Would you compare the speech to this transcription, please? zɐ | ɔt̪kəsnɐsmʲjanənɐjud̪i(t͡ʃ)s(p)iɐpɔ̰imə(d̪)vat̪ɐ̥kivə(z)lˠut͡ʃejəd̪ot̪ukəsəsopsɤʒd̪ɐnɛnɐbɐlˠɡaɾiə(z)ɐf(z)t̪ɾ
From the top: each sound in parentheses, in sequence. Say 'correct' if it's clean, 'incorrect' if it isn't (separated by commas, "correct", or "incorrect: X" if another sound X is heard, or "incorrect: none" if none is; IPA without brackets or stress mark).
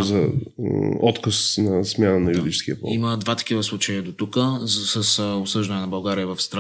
correct, incorrect: k, correct, incorrect: s, incorrect: v, incorrect: s